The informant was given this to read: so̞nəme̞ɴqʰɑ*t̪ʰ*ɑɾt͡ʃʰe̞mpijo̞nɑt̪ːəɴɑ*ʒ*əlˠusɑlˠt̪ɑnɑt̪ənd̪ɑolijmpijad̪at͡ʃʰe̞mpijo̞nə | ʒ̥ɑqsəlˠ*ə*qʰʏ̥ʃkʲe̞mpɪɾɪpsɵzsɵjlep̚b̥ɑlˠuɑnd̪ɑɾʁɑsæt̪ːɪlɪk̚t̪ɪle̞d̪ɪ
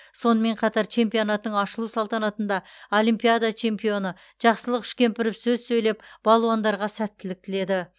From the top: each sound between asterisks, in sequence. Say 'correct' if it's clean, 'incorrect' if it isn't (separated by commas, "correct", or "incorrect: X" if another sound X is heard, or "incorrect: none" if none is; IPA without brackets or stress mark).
incorrect: t̪, incorrect: ʃ, correct